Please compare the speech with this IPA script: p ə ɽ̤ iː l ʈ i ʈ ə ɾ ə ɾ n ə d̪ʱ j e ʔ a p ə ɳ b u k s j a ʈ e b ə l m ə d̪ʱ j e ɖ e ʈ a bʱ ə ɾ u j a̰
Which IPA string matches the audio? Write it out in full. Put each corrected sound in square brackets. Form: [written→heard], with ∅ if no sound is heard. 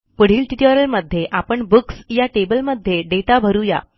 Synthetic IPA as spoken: p ə ɽ̤ iː l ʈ i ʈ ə ɾ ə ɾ [n→m] ə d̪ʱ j e ʔ a p ə ɳ b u k s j a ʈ e b ə l m ə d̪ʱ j e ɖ e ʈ a bʱ ə ɾ u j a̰